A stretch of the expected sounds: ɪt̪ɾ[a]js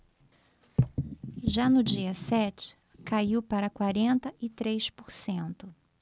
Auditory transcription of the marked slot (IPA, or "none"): e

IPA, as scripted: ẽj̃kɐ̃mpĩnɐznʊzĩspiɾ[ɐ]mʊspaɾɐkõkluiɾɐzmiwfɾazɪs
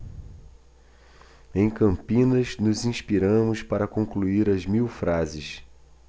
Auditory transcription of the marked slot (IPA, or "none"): ɐ̃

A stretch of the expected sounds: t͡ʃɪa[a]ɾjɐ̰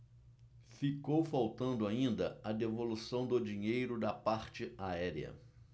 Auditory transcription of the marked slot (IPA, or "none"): ɛ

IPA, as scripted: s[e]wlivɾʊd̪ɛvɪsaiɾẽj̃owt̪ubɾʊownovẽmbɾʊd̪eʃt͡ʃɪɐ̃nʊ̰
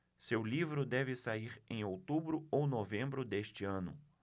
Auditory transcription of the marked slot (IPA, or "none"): e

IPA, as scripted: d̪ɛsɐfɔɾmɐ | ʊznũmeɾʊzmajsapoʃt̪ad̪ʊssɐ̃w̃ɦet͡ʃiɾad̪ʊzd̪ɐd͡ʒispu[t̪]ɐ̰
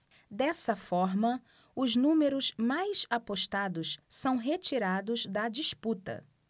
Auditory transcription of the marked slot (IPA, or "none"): t̪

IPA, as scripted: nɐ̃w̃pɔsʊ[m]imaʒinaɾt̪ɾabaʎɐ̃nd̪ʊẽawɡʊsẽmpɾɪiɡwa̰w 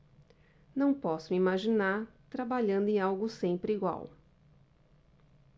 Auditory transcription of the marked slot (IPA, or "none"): m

